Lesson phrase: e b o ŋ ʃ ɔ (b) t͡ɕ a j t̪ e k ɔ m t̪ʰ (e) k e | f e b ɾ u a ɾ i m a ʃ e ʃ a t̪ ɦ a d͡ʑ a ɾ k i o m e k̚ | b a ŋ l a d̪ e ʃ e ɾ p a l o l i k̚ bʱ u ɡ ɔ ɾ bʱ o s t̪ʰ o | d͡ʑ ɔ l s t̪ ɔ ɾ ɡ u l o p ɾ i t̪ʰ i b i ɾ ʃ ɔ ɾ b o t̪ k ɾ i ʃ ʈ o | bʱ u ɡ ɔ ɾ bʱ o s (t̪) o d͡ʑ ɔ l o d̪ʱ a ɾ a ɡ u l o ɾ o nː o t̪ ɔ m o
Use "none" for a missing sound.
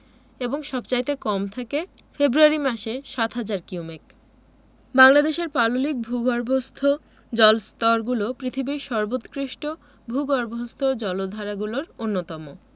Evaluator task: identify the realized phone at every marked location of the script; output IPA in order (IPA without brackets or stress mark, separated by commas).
b, a, t̪ʰ